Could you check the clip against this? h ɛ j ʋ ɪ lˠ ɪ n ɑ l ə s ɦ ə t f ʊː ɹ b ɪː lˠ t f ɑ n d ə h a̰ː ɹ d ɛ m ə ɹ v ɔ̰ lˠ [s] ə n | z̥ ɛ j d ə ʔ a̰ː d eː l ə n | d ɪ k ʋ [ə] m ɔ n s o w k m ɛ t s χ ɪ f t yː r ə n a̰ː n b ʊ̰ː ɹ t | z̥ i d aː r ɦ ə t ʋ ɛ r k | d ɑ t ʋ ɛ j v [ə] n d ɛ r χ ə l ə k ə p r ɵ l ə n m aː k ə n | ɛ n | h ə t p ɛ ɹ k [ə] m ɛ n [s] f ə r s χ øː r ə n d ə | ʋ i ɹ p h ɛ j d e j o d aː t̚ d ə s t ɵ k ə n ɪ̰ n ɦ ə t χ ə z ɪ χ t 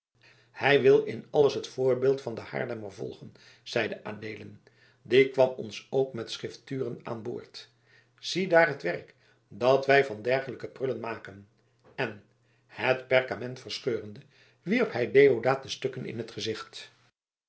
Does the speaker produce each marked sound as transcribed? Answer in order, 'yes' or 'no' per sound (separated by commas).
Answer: no, no, no, no, no